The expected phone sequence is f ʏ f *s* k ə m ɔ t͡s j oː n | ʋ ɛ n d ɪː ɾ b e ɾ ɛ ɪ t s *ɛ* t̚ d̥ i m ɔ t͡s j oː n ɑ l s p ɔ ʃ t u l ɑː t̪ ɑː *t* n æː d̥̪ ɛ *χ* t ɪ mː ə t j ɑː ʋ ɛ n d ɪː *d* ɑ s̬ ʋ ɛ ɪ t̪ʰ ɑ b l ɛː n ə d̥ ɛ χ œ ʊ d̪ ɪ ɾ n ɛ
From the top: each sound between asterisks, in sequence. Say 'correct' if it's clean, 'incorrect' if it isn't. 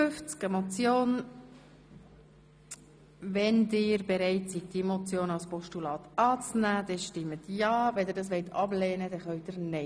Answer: incorrect: t͡s, incorrect: i, incorrect: t͡s, incorrect: ʃ, correct

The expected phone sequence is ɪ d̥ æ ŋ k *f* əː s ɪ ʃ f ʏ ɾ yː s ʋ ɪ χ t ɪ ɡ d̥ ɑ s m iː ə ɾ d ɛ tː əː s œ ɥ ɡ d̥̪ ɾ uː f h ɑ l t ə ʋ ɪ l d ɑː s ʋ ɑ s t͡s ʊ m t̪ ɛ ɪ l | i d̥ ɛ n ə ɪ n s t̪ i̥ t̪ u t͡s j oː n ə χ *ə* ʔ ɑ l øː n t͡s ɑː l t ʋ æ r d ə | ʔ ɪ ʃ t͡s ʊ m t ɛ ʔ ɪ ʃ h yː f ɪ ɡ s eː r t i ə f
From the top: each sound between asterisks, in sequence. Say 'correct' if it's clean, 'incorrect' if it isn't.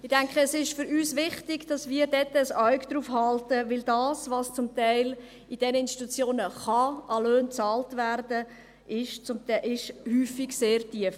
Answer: incorrect: χ, incorrect: ɑ

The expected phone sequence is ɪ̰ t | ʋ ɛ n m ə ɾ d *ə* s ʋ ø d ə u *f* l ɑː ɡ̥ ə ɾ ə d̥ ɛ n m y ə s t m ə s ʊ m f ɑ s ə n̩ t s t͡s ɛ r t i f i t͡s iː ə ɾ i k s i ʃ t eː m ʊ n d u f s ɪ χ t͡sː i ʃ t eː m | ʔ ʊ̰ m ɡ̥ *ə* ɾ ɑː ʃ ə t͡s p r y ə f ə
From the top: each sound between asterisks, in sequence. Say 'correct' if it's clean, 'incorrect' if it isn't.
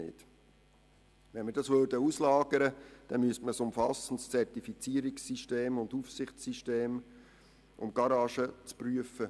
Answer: incorrect: ɑ, incorrect: s, incorrect: ɑ

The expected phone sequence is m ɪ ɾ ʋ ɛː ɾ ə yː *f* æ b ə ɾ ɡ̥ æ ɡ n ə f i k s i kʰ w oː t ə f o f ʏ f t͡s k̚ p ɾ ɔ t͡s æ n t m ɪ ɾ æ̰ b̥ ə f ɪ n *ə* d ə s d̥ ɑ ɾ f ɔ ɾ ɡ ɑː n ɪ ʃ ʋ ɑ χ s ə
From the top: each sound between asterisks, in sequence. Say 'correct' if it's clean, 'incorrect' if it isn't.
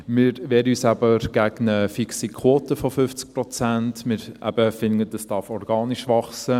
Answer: incorrect: s, correct

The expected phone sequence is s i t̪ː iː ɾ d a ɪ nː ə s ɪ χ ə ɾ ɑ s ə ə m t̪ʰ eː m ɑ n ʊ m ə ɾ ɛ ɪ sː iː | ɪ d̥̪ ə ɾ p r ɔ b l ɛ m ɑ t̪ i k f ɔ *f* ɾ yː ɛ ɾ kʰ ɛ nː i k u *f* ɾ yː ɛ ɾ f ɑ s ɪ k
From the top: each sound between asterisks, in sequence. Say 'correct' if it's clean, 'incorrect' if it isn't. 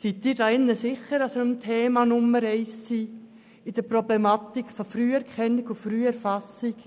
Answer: correct, correct

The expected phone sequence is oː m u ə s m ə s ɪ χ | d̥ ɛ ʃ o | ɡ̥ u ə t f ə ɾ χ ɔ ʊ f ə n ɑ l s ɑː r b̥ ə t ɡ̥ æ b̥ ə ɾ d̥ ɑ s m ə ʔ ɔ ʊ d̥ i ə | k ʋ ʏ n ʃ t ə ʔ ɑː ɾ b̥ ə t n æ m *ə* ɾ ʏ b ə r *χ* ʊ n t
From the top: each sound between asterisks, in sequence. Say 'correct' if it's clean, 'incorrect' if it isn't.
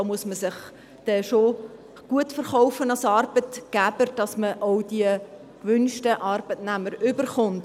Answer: correct, correct

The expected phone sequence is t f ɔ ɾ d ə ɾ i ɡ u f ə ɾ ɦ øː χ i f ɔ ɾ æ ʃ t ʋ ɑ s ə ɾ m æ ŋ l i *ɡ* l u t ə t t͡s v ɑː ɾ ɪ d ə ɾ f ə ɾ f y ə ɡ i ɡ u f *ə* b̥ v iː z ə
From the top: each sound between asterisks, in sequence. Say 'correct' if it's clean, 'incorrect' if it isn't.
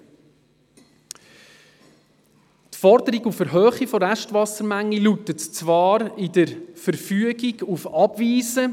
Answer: incorrect: none, incorrect: ɑ

